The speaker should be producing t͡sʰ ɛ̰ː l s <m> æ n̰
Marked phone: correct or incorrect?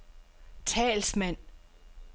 correct